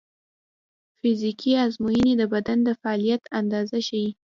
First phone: f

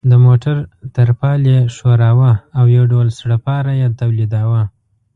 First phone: d̪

